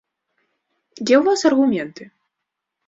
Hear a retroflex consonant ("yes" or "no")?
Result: no